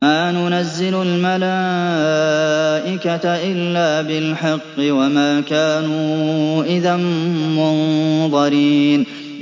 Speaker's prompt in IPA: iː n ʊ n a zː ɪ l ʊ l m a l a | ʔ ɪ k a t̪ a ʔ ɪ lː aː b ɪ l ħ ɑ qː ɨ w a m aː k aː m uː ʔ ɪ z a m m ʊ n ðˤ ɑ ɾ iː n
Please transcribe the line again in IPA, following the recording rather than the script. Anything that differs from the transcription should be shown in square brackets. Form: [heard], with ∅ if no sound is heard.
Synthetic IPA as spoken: [aː] n ʊ n a zː ɪ l ʊ l m a l a | ʔ ɪ k a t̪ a ʔ ɪ lː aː b ɪ l ħ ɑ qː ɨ w a m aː k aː [n] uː ʔ ɪ [ð] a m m ʊ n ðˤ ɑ ɾ iː n